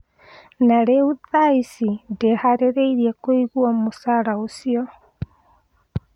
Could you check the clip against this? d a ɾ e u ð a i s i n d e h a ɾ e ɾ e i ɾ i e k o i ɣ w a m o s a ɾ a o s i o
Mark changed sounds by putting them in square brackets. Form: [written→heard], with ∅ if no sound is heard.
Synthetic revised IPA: [d→n] a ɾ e u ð a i s i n d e h a ɾ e ɾ e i ɾ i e k o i ɣ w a m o s a ɾ a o s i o